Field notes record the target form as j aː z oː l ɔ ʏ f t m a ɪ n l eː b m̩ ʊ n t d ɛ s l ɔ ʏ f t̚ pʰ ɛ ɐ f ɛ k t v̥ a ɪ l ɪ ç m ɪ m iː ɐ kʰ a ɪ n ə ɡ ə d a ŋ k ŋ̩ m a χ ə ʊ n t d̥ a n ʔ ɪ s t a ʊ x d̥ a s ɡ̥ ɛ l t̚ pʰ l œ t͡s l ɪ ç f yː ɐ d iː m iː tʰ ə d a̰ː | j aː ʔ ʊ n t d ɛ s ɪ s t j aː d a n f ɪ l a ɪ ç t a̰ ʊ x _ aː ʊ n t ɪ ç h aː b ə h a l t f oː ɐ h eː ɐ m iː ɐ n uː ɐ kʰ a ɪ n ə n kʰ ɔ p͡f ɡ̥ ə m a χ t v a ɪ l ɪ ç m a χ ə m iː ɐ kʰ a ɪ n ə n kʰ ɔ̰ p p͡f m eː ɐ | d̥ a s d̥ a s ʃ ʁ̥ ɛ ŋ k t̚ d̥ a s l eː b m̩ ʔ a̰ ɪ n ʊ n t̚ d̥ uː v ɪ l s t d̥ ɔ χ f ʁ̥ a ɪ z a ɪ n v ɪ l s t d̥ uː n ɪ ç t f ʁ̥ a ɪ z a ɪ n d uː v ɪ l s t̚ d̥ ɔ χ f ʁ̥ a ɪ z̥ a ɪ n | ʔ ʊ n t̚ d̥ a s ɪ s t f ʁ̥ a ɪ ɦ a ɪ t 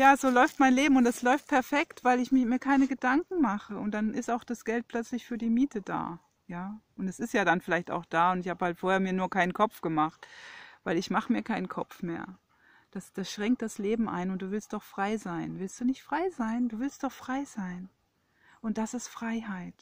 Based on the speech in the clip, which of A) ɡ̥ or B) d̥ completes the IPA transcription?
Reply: B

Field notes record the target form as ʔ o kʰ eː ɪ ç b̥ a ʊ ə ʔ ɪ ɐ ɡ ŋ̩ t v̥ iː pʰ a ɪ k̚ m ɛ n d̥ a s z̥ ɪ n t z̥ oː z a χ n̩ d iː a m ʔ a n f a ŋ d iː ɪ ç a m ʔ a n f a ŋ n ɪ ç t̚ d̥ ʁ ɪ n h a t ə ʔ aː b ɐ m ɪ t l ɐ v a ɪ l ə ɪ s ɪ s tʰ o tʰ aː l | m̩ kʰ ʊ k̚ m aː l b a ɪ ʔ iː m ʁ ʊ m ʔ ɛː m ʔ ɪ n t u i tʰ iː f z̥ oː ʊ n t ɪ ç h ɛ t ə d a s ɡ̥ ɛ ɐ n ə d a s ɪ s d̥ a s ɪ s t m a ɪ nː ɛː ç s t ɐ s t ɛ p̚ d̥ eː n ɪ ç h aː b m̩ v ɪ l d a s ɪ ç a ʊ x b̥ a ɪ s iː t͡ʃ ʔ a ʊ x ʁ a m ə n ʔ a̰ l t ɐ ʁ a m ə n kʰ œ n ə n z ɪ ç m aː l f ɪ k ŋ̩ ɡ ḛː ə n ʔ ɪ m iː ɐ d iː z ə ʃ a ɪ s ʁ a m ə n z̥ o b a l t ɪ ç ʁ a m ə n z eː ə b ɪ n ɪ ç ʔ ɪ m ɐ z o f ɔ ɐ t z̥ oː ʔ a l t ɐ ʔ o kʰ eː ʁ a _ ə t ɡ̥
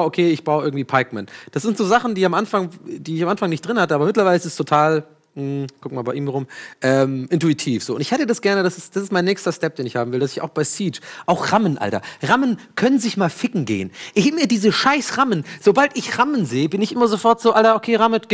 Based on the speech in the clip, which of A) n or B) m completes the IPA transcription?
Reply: B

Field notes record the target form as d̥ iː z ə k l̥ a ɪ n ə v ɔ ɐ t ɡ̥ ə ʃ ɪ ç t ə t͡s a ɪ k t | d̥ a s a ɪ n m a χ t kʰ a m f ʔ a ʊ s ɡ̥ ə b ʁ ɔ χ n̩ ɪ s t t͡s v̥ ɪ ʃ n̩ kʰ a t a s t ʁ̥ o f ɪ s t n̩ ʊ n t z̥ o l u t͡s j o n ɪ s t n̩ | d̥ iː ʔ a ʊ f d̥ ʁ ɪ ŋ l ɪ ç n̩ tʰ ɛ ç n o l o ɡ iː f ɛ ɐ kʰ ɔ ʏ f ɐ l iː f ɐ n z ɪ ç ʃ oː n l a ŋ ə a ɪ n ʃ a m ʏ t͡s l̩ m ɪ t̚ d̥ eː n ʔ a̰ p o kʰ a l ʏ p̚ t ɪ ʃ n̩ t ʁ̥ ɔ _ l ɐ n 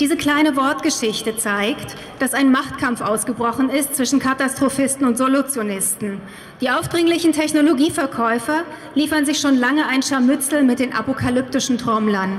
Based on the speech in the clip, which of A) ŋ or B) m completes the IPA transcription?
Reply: B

